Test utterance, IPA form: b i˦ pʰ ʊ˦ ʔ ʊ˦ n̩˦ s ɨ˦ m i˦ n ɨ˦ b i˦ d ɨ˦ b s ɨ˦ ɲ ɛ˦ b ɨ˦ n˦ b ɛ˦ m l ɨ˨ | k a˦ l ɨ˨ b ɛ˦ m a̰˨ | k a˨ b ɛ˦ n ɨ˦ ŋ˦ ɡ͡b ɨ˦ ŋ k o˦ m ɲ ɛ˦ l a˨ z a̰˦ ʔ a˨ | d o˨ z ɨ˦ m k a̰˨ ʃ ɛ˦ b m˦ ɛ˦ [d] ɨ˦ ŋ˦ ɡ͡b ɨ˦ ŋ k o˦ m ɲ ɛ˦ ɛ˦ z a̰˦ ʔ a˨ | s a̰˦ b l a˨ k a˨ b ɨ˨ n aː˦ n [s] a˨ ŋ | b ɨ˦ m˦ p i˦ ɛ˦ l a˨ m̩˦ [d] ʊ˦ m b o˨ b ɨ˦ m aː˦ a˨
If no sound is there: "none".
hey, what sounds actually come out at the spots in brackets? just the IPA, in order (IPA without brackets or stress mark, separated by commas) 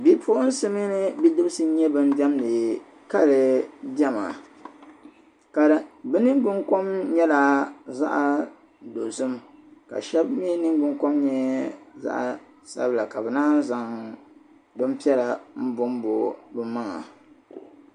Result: n, z, b